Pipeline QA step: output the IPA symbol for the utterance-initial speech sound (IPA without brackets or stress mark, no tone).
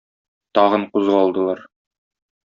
t̪